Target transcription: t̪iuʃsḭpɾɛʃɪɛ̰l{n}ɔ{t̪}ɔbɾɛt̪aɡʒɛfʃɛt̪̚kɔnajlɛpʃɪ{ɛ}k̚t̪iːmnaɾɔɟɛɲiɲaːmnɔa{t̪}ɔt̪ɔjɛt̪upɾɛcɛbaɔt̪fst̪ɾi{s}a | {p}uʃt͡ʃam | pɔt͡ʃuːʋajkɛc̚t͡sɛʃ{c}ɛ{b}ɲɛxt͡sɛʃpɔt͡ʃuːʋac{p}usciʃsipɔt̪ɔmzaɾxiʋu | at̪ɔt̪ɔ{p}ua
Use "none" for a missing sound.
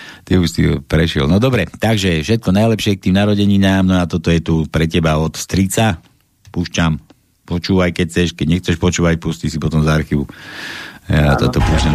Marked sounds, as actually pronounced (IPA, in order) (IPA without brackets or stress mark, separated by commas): n, d̪, ɛ, t̪, t͡s, p, k, ɟ, p, p